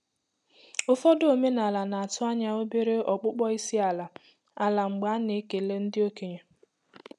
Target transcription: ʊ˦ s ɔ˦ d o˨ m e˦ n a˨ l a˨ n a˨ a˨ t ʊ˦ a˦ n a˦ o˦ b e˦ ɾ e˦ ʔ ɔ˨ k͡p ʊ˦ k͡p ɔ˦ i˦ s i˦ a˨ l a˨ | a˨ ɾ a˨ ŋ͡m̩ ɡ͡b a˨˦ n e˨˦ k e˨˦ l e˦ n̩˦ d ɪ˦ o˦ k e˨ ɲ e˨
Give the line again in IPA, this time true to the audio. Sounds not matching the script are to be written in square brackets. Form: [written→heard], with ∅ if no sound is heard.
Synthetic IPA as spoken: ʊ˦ [s→f] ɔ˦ d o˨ m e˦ n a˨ l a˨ n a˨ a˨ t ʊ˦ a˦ [n→ɲ] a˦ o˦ b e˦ ɾ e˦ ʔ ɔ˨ k͡p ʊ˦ k͡p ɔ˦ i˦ s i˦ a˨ l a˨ | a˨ [ɾ→l] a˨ ŋ͡m̩ ɡ͡b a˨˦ n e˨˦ k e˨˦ l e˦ n̩˦ d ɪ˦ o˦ k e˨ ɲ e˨